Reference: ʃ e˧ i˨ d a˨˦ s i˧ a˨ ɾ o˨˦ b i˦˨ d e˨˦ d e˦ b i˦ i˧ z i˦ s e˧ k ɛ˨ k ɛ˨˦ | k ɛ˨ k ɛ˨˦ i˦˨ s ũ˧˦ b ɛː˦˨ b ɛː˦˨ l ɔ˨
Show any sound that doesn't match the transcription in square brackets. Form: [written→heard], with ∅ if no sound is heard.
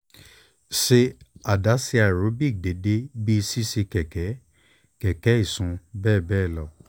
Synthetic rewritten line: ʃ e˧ [i˨→a˨] d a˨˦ s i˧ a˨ ɾ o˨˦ b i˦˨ d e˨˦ d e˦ b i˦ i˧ [z→s] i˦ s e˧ k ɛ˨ k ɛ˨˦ | k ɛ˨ k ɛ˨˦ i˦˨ s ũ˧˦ b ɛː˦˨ b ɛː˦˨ l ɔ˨